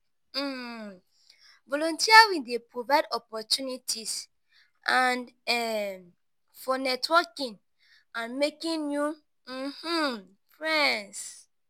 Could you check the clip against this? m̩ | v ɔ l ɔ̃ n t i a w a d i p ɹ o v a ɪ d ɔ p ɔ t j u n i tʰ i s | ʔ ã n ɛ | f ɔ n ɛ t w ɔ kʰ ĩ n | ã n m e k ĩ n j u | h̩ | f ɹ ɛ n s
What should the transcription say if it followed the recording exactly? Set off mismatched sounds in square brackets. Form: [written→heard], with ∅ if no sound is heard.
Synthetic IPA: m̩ | v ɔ l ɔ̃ n t i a w [a→i] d [i→e] p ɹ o v a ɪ d ɔ p ɔ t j u n i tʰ i s | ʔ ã n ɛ | f ɔ n ɛ t w ɔ [kʰ→k] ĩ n | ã n m e k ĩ n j u | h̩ | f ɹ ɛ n s